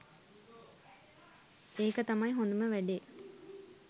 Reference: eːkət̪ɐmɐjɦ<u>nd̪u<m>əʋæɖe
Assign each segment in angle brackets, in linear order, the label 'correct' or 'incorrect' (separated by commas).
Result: incorrect, correct